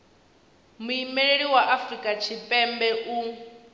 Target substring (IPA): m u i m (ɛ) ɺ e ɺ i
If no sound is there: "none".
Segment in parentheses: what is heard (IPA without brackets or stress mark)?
ɛ